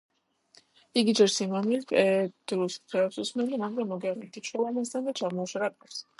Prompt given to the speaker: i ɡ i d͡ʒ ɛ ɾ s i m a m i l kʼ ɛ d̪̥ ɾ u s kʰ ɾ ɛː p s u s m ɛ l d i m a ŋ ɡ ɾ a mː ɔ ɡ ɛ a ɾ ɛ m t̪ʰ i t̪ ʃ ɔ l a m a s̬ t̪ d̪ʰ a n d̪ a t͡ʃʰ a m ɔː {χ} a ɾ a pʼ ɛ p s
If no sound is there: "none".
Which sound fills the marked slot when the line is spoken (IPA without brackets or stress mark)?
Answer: ʃ